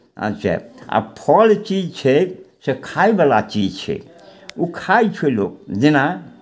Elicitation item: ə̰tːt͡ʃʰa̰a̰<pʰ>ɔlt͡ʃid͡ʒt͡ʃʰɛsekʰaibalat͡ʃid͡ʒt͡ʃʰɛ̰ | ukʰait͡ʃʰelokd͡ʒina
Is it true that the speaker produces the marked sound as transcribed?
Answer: yes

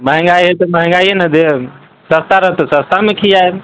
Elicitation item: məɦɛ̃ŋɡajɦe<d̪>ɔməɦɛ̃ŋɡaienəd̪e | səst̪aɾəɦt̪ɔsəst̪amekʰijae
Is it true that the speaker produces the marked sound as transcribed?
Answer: no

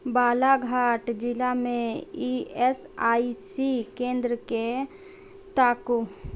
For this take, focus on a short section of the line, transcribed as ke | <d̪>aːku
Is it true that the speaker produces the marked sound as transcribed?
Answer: no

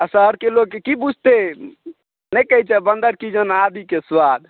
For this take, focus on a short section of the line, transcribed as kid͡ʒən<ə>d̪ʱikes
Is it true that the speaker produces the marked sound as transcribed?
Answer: no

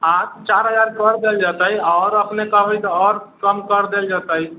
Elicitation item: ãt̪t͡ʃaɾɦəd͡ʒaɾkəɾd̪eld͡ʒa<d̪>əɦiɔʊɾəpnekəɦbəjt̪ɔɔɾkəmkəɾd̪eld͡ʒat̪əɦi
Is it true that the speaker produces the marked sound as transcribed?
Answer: no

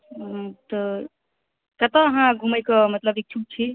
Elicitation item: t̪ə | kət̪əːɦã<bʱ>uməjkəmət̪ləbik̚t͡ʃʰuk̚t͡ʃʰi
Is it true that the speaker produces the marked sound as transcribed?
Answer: no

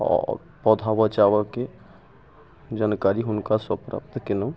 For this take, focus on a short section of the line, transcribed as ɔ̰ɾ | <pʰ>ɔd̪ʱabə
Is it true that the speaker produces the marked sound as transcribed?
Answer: no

